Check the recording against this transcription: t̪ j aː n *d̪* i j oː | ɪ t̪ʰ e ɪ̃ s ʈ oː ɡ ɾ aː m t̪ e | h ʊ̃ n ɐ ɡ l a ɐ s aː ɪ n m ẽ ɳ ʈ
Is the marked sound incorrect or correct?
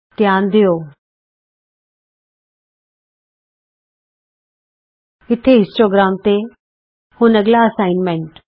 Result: correct